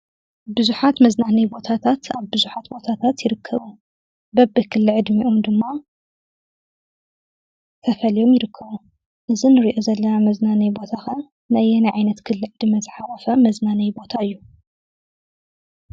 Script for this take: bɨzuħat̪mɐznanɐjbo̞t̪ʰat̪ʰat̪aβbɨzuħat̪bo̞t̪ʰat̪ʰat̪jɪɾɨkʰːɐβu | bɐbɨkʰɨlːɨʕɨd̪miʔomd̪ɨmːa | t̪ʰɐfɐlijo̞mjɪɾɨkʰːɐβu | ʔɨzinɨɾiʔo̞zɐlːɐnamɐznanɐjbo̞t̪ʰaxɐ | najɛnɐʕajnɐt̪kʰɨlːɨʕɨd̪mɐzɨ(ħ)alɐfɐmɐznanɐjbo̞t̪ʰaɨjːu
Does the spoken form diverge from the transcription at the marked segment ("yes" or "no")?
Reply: no